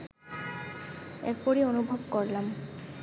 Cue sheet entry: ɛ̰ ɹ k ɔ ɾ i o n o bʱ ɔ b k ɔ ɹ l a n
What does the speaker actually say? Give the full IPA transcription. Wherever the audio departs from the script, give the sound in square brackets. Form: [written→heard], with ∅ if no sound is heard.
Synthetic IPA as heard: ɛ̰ ɹ [k→p] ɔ [ɾ→ɹ] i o n [o→u] bʱ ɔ b k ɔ ɹ l a [n→m]